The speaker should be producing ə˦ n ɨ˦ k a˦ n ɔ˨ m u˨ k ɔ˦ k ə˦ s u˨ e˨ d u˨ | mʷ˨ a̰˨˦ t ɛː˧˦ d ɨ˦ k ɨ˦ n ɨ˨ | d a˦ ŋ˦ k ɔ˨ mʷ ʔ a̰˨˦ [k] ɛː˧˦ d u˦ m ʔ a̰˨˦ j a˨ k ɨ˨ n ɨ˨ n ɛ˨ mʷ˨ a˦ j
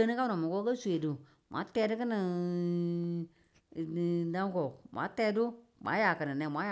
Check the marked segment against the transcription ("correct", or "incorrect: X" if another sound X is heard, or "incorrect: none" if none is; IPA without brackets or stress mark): incorrect: t